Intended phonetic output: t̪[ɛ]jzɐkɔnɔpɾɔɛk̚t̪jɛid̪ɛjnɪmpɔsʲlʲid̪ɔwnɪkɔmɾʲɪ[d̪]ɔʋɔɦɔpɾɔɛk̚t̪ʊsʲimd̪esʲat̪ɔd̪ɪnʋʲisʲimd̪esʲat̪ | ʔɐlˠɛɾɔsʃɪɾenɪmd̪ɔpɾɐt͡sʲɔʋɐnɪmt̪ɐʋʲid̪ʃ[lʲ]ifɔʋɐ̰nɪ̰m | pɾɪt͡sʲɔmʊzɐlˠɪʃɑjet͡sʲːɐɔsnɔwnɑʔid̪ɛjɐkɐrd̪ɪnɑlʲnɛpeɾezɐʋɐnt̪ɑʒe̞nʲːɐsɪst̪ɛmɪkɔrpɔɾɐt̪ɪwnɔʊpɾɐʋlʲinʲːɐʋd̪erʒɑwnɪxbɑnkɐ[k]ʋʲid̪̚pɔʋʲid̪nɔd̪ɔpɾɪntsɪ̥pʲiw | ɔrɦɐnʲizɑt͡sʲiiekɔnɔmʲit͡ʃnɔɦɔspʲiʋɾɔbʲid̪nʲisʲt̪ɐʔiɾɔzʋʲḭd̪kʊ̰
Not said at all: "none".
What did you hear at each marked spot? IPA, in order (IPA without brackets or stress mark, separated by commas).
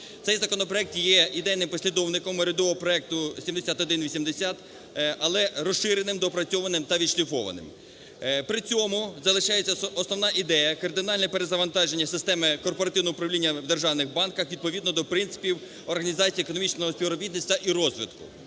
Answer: ɛ, d̪, lʲ, x